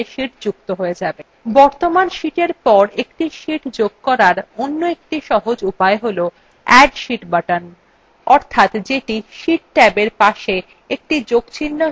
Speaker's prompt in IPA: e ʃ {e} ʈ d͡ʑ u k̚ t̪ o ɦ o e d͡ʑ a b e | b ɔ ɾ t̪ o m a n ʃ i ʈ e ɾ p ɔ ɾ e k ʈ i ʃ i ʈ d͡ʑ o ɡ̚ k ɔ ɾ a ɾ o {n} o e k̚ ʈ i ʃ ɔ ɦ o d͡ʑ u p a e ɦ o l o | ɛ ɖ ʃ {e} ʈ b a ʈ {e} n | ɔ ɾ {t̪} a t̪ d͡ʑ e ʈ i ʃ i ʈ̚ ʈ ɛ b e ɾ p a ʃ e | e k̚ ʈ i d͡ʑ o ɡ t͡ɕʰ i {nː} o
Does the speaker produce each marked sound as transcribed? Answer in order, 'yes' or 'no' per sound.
no, no, no, no, no, yes

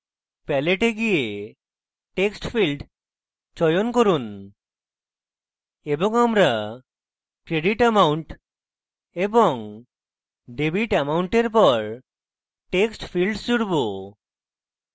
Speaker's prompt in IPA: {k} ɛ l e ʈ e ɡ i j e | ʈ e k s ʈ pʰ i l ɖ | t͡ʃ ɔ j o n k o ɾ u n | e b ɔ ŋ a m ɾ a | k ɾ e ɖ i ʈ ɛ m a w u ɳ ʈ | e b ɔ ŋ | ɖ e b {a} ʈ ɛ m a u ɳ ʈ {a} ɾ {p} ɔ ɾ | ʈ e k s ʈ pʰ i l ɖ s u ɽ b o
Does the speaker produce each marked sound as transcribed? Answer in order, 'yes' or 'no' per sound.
no, no, no, yes

